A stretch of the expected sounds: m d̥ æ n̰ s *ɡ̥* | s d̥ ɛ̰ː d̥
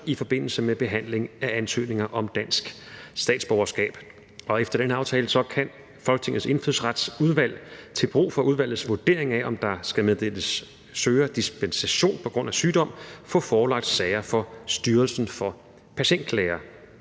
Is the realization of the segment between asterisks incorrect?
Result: no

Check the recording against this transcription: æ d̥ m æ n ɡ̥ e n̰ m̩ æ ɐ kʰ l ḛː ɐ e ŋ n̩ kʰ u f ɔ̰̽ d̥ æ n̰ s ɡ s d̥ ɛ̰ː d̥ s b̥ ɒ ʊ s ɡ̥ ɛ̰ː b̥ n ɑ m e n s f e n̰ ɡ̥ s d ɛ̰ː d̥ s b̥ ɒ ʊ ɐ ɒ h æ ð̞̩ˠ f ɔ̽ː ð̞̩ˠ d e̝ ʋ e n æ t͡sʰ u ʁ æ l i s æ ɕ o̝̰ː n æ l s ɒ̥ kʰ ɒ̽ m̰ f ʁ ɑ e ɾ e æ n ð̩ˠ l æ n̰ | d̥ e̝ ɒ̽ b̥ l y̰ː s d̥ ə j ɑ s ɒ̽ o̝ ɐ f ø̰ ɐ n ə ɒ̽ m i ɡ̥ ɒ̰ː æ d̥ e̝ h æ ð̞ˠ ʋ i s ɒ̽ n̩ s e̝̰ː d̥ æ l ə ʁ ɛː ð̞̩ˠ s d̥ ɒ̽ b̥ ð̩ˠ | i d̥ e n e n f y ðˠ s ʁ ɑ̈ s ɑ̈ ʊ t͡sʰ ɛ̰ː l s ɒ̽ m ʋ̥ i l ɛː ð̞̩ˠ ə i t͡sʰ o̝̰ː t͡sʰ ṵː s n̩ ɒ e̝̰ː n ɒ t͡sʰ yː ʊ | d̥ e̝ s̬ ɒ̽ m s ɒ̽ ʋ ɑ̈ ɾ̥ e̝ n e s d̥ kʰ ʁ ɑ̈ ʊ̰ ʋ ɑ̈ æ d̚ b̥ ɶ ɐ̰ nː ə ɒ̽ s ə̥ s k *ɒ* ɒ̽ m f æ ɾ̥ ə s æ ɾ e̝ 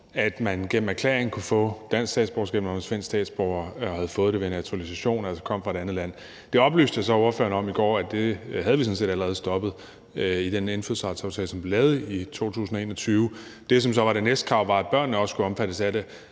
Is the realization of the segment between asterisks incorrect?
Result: yes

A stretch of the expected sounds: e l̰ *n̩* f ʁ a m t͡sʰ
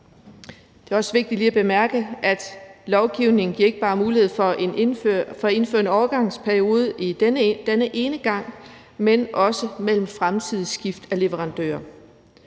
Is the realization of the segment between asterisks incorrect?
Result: yes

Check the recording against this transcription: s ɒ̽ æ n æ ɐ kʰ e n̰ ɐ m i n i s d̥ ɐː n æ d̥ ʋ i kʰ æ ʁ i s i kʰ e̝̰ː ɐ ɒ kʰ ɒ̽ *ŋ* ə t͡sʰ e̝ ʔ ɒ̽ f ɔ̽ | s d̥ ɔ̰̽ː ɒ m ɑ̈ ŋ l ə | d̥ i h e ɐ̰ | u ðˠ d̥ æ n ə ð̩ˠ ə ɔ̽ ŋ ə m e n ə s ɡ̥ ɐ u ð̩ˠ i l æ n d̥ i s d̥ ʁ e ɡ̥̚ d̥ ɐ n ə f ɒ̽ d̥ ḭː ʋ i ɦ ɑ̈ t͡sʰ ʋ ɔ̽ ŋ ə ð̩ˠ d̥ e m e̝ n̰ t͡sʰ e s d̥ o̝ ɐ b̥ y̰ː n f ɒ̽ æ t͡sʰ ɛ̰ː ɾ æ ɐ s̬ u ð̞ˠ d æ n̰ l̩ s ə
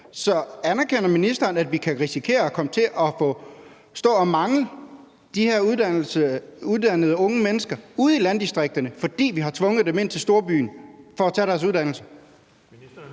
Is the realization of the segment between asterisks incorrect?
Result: yes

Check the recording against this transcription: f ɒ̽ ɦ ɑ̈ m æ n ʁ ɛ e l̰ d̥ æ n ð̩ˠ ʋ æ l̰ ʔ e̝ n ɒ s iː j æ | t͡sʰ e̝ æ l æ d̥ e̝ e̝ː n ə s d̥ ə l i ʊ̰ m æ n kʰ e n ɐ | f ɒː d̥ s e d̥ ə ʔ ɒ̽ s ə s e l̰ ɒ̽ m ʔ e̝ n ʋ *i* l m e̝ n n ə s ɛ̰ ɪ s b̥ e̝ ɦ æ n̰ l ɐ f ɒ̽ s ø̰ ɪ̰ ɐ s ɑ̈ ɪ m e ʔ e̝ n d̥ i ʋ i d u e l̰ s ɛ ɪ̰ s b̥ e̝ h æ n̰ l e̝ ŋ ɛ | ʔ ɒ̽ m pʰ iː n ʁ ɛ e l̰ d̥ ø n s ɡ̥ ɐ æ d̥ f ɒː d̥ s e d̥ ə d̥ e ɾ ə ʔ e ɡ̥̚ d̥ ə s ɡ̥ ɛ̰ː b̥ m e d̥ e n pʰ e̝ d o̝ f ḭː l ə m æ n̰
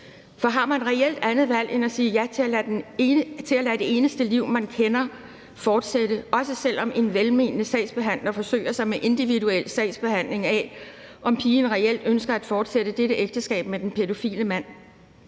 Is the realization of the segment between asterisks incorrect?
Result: yes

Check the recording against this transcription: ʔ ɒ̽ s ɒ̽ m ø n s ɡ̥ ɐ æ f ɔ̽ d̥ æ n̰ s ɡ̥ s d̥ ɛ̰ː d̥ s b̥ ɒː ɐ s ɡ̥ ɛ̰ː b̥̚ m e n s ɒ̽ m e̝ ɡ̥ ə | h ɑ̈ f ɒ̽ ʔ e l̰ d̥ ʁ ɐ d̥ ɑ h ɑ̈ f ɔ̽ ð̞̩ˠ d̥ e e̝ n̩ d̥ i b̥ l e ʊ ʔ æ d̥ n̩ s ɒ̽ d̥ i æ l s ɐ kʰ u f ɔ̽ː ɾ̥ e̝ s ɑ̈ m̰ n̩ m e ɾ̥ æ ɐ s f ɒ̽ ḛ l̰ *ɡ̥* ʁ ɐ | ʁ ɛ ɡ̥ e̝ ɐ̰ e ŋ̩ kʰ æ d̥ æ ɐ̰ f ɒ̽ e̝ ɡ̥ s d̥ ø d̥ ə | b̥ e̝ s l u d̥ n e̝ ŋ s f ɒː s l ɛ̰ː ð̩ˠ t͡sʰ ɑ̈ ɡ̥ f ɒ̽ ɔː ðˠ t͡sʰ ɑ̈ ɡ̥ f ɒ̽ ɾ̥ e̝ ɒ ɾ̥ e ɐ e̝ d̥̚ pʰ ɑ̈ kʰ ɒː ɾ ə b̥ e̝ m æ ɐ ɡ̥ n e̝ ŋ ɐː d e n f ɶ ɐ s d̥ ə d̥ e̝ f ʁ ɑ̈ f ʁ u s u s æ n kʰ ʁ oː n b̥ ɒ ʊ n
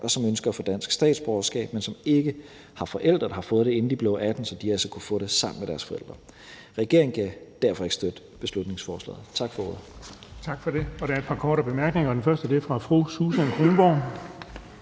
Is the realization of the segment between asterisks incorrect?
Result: yes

